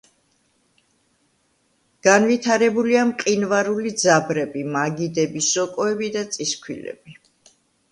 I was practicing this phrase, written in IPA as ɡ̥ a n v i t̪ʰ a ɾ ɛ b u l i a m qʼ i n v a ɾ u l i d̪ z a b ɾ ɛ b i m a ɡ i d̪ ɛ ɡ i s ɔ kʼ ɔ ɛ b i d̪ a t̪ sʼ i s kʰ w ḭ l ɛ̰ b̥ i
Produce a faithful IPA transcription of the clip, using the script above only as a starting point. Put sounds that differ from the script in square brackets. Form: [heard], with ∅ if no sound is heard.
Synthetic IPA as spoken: ɡ̥ a n v i t̪ʰ a ɾ ɛ b u l i a m qʼ i n v a ɾ u l i d̪ z a b ɾ ɛ b i m a ɡ i d̪ ɛ [b] i s ɔ kʼ ɔ ɛ b i d̪ a t̪ sʼ i s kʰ w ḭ l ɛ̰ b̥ i

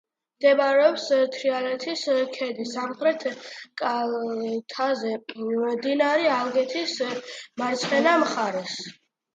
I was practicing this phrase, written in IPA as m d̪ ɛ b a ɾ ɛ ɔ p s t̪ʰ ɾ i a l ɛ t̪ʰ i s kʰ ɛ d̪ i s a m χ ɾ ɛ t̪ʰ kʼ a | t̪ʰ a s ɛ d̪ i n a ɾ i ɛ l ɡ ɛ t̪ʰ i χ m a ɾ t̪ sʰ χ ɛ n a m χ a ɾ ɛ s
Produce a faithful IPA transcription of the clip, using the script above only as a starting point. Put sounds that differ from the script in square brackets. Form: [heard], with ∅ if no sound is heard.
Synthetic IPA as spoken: m d̪ ɛ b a ɾ ɛ ɔ p s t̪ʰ ɾ i a l ɛ t̪ʰ i s kʰ ɛ d̪ i s a m χ ɾ ɛ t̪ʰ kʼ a | t̪ʰ a [z] ɛ d̪ i n a ɾ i [a] l ɡ ɛ t̪ʰ i [s] m a ɾ t̪ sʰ χ ɛ n a m χ a ɾ ɛ s

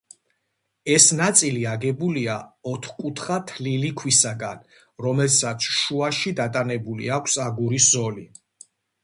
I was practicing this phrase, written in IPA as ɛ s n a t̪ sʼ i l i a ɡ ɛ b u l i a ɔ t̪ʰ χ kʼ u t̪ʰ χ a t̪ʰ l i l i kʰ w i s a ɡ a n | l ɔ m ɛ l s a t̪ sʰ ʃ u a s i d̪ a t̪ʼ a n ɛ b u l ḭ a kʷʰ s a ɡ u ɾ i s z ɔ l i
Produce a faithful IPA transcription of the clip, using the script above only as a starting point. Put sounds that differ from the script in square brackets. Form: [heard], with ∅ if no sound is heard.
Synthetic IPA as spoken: ɛ s n a t̪ sʼ i l i a ɡ ɛ b u l i a ɔ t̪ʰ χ kʼ u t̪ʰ χ a t̪ʰ l i l i kʰ w i s a ɡ a n | [ɾ] ɔ m ɛ l s a t̪ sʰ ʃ u a [ʃ] i d̪ a t̪ʼ a n ɛ b u l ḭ a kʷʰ s a ɡ u ɾ i s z ɔ l i

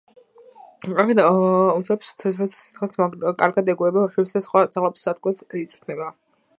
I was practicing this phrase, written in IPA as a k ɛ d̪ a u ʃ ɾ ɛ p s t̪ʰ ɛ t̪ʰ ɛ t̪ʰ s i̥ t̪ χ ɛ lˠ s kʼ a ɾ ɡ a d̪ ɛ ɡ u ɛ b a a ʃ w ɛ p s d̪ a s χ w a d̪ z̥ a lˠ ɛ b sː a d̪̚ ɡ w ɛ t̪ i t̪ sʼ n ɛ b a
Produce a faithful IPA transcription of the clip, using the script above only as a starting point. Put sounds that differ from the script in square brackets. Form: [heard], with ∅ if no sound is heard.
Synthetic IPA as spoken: a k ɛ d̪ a u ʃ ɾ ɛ p s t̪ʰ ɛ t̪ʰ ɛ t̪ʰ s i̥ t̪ χ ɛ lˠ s kʼ a ɾ ɡ a d̪ ɛ ɡ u ɛ b a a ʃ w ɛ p s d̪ a s χ w a d̪ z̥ a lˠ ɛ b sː a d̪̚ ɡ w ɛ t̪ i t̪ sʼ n ɛ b a

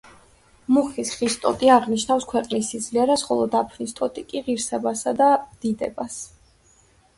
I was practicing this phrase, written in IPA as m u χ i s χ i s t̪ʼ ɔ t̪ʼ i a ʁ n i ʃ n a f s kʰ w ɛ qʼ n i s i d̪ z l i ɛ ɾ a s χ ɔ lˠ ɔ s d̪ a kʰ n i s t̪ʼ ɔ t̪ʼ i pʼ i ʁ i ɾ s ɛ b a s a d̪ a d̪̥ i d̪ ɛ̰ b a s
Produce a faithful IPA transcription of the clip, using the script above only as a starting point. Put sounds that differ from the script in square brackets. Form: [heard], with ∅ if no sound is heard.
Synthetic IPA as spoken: m u χ i s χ i s t̪ʼ ɔ t̪ʼ i a ʁ n i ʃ n a f s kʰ w ɛ qʼ n i s i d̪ z l i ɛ ɾ a s χ ɔ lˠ ɔ [∅] d̪ a [pʰ] n i s t̪ʼ ɔ t̪ʼ i [kʼ] i ʁ i ɾ s ɛ b a s a d̪ a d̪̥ i d̪ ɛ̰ b a s

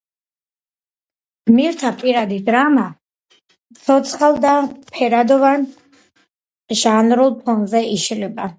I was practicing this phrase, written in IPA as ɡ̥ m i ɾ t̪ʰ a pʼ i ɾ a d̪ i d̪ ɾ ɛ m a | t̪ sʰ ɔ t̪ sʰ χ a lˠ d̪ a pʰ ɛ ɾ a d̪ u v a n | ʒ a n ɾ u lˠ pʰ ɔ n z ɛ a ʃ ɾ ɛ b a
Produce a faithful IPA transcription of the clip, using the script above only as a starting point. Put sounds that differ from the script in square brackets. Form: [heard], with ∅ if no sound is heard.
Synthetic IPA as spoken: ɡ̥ m i ɾ t̪ʰ a pʼ i ɾ a d̪ i d̪ ɾ [a] m a | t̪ sʰ ɔ t̪ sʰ χ a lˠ d̪ a pʰ ɛ ɾ a d̪ [ɔ] v a n | ʒ a n ɾ u lˠ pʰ ɔ n z ɛ [i] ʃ [l] ɛ b a

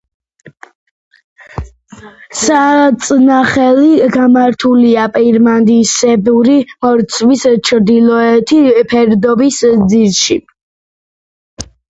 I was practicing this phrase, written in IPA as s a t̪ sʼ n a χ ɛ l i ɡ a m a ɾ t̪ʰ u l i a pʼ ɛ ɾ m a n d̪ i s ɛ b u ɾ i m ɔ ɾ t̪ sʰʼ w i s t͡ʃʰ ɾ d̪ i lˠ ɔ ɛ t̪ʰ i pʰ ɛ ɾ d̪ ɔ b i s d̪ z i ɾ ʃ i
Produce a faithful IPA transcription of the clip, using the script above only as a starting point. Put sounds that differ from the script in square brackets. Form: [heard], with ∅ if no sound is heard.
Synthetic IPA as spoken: s a t̪ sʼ n a χ ɛ l i ɡ a m a ɾ t̪ʰ u l i a pʼ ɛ ɾ m a n d̪ i s ɛ b u ɾ i m ɔ ɾ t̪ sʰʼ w i s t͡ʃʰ ɾ d̪ i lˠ ɔ ɛ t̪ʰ i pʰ ɛ ɾ d̪ ɔ b i s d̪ z i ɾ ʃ i

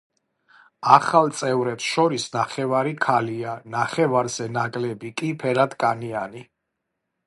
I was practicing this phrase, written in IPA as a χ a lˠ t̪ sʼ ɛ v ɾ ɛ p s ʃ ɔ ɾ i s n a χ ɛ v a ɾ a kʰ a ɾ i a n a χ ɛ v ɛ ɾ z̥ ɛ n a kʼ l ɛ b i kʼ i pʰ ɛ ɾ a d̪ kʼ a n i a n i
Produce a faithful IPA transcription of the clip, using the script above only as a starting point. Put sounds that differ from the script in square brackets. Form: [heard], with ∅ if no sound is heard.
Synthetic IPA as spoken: a χ a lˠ t̪ sʼ ɛ v ɾ ɛ p s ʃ ɔ ɾ i s n a χ ɛ v a ɾ [i] kʰ a [l] i a n a χ ɛ v [a] ɾ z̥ ɛ n a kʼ l ɛ b i kʼ i pʰ ɛ ɾ a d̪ kʼ a n i a n i

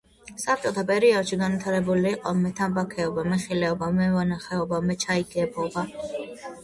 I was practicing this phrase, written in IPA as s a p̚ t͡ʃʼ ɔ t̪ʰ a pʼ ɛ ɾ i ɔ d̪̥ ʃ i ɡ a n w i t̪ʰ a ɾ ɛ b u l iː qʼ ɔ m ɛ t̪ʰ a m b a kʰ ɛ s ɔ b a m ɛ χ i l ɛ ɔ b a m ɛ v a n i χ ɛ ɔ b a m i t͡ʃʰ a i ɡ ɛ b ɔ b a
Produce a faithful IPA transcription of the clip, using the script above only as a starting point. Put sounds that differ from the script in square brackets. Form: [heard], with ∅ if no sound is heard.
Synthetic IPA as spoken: s a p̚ t͡ʃʼ ɔ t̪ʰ a pʼ ɛ ɾ i ɔ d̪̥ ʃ i ɡ a n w i t̪ʰ a ɾ ɛ b u l iː qʼ ɔ m ɛ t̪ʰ a m b a kʰ ɛ [∅] ɔ b a m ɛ χ i l ɛ ɔ b a m ɛ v a n [a] χ ɛ ɔ b a m [ɛ] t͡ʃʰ a i ɡ ɛ b ɔ b a

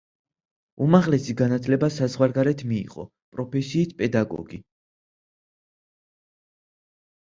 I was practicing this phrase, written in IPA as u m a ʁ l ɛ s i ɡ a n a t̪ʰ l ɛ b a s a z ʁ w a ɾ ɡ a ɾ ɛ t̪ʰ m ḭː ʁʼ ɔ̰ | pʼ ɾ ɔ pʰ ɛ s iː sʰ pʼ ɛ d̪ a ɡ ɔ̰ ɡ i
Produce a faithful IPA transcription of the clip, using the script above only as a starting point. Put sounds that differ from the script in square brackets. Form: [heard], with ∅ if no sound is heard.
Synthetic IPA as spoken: u m a ʁ l ɛ s i ɡ a n a t̪ʰ l ɛ b a s a z ʁ w a ɾ ɡ a ɾ ɛ t̪ʰ m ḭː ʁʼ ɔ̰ | pʼ ɾ ɔ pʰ ɛ s iː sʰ pʼ ɛ d̪ a ɡ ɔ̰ ɡ i

